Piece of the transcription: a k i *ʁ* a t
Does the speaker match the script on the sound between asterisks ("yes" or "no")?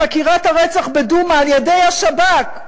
yes